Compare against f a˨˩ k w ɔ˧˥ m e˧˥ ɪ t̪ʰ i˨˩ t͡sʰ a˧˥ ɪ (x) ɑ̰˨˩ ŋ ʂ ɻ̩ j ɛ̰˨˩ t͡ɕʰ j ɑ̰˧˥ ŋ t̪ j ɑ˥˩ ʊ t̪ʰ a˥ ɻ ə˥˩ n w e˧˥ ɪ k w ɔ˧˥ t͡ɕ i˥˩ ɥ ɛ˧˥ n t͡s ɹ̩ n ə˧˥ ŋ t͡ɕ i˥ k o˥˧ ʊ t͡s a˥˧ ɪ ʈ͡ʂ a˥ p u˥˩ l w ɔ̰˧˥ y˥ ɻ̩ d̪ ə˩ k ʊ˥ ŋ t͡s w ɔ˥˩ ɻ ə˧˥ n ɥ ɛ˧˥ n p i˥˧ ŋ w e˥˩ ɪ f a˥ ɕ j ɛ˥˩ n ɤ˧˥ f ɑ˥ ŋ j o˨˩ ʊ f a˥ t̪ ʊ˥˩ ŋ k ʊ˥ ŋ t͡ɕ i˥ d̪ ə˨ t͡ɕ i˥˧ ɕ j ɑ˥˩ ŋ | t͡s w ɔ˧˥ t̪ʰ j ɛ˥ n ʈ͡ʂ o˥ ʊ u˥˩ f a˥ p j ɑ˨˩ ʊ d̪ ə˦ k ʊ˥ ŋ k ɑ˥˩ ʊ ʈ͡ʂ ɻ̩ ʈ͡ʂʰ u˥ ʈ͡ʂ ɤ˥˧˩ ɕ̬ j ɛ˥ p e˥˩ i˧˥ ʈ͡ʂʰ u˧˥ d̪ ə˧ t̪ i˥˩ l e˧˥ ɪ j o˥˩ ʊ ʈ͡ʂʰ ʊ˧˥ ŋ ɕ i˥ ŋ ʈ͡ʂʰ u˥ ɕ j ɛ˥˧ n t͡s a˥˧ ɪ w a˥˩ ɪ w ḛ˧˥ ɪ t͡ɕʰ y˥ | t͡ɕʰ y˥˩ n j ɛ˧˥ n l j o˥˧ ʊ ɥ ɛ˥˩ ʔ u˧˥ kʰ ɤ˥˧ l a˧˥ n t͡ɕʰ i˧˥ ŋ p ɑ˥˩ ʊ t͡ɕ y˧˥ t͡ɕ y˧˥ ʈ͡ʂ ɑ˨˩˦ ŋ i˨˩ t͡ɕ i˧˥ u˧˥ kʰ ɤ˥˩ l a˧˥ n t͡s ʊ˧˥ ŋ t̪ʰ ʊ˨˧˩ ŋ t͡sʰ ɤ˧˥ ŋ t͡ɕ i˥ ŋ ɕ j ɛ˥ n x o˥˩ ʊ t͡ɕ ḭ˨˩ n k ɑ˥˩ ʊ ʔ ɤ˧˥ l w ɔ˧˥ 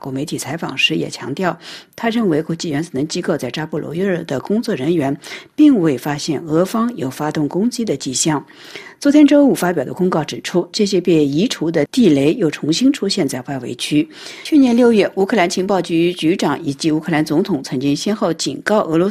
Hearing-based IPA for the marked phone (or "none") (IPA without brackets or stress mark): f